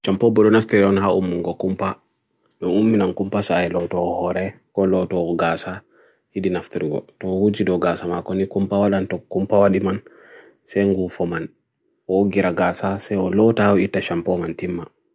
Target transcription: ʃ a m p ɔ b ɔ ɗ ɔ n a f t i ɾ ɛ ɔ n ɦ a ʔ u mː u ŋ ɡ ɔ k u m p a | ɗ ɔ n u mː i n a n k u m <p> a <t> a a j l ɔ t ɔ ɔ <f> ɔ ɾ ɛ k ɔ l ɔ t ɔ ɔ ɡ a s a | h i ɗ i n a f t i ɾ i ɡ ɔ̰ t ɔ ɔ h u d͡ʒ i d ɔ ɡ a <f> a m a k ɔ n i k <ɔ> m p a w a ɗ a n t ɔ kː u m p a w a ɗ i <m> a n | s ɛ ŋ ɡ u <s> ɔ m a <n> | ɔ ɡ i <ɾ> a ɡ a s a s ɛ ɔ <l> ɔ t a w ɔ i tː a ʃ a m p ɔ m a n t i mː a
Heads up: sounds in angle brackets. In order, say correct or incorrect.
correct, incorrect, incorrect, incorrect, incorrect, correct, incorrect, correct, correct, correct

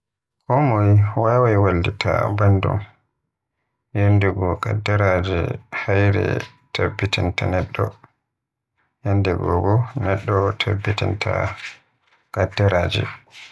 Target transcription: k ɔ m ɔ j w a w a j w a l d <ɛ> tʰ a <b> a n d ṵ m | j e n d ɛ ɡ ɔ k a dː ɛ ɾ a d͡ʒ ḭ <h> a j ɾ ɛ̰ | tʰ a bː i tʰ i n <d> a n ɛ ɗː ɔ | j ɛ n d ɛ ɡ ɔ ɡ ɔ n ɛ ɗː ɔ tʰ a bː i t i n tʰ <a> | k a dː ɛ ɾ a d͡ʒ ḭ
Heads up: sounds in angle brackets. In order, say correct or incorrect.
incorrect, correct, correct, incorrect, correct

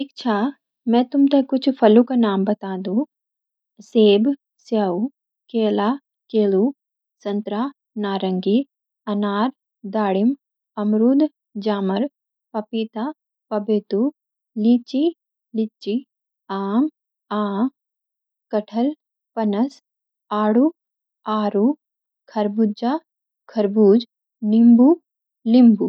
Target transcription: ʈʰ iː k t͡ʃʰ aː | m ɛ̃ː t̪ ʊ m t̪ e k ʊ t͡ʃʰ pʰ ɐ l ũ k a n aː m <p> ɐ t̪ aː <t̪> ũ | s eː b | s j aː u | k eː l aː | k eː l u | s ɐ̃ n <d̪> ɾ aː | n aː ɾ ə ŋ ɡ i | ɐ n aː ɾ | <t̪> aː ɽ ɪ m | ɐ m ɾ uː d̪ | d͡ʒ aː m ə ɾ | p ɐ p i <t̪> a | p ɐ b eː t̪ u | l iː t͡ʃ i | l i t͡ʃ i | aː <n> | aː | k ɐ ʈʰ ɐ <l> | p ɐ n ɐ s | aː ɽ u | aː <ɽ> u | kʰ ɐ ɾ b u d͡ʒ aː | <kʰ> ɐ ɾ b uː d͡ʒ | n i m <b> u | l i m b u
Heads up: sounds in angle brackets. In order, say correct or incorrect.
incorrect, incorrect, incorrect, incorrect, correct, incorrect, correct, incorrect, correct, correct

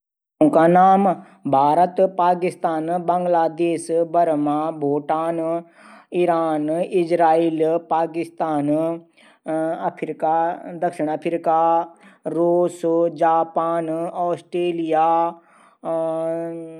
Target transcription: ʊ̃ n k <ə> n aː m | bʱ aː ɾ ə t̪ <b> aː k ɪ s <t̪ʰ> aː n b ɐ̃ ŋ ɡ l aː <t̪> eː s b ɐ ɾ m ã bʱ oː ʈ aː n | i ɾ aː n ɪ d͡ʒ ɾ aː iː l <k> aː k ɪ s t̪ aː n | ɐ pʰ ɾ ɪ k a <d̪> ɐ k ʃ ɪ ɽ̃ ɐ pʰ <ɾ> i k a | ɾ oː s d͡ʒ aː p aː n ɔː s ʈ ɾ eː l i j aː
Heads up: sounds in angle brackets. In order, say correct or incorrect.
incorrect, incorrect, incorrect, incorrect, incorrect, correct, correct

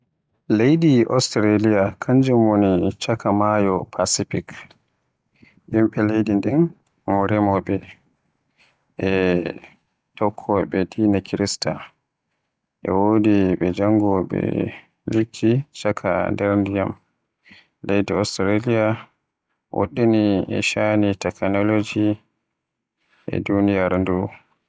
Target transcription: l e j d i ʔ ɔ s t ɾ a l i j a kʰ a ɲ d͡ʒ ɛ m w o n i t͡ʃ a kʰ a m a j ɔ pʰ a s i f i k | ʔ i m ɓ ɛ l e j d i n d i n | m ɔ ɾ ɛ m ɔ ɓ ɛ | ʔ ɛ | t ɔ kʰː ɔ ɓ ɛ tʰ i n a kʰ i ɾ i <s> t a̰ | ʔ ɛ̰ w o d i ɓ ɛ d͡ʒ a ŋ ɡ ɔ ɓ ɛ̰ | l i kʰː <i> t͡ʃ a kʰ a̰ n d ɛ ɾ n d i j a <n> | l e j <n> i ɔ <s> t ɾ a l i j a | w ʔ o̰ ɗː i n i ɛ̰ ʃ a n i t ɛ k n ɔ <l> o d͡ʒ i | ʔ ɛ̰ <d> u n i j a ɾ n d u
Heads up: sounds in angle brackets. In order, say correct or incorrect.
correct, correct, incorrect, incorrect, correct, correct, correct

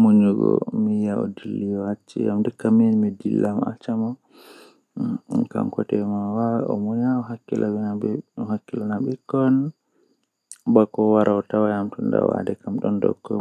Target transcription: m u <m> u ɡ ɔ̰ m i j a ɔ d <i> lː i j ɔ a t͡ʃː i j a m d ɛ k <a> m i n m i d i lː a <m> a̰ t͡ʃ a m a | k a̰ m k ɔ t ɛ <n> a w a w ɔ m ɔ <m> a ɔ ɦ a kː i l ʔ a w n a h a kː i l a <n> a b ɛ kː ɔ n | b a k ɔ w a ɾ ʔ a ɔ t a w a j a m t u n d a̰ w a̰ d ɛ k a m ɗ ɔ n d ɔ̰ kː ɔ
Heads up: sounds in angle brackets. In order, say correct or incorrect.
incorrect, correct, correct, correct, incorrect, incorrect, correct

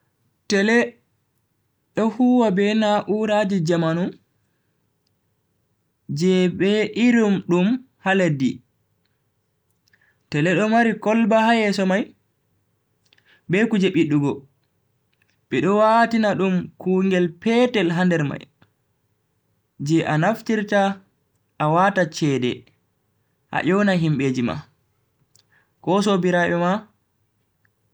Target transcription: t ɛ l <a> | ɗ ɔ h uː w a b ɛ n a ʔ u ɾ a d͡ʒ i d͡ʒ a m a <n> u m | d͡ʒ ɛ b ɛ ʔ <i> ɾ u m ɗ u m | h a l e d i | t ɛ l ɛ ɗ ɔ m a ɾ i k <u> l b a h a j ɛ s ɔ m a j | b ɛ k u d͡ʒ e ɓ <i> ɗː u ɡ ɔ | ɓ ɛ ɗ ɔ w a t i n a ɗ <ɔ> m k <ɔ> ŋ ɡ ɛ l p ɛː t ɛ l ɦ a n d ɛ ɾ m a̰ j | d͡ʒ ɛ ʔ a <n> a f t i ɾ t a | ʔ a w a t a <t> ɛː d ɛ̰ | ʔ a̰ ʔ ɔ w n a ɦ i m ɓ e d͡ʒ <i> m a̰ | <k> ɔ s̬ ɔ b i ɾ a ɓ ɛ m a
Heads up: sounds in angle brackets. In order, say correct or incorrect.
incorrect, correct, correct, incorrect, correct, incorrect, incorrect, correct, incorrect, correct, correct

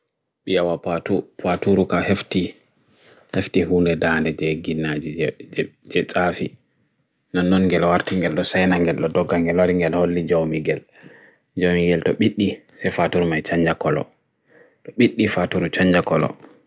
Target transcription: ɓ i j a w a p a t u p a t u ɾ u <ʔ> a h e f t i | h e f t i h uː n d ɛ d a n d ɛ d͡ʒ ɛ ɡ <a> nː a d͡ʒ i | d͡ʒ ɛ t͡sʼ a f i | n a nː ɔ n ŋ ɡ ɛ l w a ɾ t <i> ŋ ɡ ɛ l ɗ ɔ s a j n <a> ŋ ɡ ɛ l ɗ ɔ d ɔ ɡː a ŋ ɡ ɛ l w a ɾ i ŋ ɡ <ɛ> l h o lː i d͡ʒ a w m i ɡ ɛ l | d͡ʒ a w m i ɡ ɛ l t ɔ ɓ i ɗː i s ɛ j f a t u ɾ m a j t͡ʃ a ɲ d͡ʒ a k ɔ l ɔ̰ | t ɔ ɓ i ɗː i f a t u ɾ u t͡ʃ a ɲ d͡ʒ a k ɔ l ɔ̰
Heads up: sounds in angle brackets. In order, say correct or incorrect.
incorrect, incorrect, correct, correct, correct

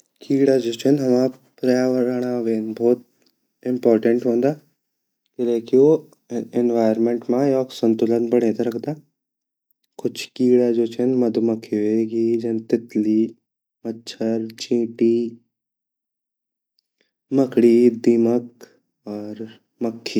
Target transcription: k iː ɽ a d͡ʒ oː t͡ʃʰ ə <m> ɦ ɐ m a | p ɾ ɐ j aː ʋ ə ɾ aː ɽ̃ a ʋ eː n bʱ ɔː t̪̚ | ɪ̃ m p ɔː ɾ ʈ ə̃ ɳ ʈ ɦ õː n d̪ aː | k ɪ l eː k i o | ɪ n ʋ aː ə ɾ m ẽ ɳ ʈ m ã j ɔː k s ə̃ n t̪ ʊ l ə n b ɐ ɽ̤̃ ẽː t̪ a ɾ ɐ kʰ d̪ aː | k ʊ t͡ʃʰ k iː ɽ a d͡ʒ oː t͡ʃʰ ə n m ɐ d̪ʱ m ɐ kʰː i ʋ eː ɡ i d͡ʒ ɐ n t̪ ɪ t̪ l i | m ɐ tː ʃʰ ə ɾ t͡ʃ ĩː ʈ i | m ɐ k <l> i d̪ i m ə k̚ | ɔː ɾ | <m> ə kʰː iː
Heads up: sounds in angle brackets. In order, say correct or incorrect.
incorrect, incorrect, correct

